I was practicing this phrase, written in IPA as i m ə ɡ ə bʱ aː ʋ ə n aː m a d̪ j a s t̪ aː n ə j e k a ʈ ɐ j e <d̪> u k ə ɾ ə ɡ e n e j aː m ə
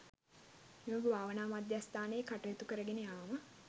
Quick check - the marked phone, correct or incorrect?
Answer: incorrect